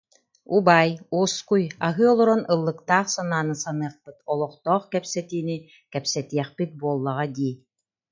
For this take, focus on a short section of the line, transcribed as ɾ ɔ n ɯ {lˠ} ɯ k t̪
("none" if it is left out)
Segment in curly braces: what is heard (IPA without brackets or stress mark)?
lˠː